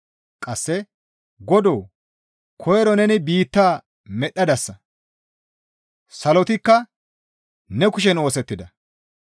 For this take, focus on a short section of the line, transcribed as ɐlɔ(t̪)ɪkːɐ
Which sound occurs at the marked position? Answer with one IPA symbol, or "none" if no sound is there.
t̪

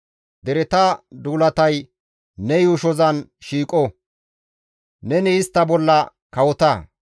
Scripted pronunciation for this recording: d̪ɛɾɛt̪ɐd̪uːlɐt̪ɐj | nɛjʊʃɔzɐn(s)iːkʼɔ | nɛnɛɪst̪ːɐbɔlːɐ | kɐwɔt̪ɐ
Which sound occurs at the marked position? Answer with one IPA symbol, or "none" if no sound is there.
ʃ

